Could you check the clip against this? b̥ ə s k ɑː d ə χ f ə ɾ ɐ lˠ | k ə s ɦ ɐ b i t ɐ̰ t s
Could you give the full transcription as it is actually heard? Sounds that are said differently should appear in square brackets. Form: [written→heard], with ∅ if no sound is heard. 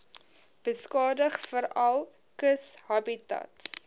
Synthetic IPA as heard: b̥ ə s k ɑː d ə χ f ə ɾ ɐ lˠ | k ə s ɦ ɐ b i t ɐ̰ t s